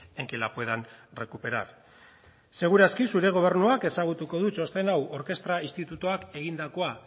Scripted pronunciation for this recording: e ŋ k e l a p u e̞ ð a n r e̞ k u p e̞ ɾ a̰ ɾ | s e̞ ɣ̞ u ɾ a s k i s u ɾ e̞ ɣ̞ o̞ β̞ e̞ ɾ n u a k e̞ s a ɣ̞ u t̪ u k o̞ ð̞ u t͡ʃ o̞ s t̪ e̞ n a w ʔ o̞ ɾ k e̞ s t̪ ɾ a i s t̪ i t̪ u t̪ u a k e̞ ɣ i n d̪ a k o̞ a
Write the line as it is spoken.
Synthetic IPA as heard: e ŋ k e l a p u e̞ ð a n r e̞ k u p e̞ ɾ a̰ ɾ | s e̞ ɣ̞ u ɾ a s k i s u ɾ e̞ ɣ̞ o̞ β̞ e̞ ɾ n u a k e̞ s a ɣ̞ u t̪ u k o̞ ð̞ u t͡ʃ o̞ s t̪ e̞ n a w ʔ o̞ ɾ k e̞ s t̪ ɾ a i s t̪ i t̪ u t̪ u a k e̞ ɣ i n d̪ a k o̞ a